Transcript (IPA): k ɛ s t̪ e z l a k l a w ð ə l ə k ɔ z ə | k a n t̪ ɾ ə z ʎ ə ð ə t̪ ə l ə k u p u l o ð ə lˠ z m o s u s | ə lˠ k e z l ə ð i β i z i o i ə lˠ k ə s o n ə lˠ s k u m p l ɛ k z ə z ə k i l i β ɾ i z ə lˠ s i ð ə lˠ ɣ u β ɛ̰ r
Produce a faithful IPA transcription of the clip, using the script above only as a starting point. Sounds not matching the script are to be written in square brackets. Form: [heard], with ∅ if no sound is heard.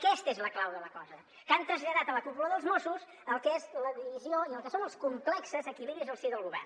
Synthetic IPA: k ɛ s t̪ e z l [ə] k l a w ð ə l ə k ɔ z ə | k a n t̪ ɾ ə z ʎ ə ð [a] t̪ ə l ə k u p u l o ð ə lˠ z m o s u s | ə lˠ k e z l ə ð i β i z i o i ə lˠ k ə s o n ə lˠ s k u m p l ɛ k [s] ə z ə k i l i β ɾ i z ə lˠ s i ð ə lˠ ɣ u β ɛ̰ r